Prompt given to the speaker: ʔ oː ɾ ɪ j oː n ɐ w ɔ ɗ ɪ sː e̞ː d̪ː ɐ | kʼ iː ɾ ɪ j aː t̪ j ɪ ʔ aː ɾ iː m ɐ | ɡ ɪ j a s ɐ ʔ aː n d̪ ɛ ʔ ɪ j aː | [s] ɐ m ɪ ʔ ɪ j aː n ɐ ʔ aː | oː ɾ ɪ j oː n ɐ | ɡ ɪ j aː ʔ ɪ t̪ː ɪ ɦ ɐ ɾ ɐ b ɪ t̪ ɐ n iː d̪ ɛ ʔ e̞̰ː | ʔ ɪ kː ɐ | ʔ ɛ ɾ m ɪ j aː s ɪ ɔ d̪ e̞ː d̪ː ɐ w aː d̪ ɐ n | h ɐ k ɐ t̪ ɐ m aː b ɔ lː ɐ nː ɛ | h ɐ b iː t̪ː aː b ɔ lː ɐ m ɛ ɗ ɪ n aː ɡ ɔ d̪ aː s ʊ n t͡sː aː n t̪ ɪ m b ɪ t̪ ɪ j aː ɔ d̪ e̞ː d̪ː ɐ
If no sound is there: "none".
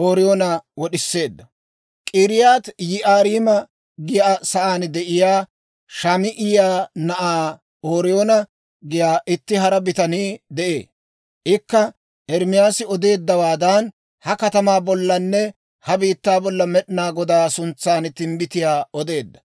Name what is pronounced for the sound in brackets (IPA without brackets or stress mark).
ʃ